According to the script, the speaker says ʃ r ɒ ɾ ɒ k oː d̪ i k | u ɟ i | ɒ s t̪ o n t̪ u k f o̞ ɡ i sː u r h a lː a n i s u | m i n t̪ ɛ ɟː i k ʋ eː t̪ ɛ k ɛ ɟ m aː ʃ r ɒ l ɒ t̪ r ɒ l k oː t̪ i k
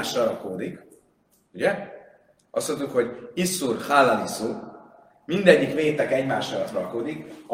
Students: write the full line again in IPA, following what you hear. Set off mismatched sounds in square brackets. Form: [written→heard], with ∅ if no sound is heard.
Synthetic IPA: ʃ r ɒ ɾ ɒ k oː d̪ i k | u ɟ [i→ɛ] | ɒ s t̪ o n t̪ u k [f→h] o̞ [ɡ→ɟ] i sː u r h a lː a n i s u | m i n [t̪→d̪] ɛ ɟː i k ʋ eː t̪ ɛ k ɛ ɟ m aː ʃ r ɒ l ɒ t̪ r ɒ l k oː [t̪→d̪] i k